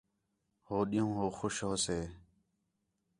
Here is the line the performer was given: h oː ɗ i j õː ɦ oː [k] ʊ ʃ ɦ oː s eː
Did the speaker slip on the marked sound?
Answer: yes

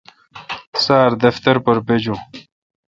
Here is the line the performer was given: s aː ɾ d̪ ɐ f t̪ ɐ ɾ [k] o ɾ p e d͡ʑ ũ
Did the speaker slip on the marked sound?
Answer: yes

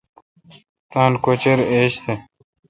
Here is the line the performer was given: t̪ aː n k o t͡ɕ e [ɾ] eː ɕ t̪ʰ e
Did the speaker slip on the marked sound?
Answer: no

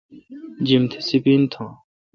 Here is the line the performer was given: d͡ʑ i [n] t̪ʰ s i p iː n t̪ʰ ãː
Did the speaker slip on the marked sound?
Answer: yes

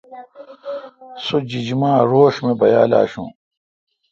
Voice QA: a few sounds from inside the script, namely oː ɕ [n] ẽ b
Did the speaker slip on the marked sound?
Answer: yes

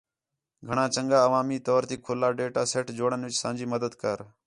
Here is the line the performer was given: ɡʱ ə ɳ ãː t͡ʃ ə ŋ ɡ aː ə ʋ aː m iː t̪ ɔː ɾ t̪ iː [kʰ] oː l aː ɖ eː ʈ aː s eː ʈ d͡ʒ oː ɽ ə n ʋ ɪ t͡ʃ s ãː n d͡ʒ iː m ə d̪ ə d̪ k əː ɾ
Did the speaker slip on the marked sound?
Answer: no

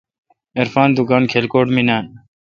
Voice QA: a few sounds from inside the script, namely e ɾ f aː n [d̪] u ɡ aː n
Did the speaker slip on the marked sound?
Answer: no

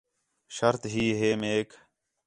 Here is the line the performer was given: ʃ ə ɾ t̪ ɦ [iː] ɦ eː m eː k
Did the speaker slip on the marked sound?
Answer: no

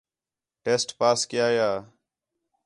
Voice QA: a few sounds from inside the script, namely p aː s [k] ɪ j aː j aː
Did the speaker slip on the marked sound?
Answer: no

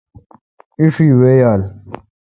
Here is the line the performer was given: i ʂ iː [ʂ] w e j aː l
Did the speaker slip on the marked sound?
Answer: yes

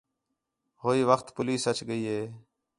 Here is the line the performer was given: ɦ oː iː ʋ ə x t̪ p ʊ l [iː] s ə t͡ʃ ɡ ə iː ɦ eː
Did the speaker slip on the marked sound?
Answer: no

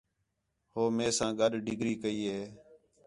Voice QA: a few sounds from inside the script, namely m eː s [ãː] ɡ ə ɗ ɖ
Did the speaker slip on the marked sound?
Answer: no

